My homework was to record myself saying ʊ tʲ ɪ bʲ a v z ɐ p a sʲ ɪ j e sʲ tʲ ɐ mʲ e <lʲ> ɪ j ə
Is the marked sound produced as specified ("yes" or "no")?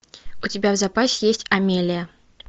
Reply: yes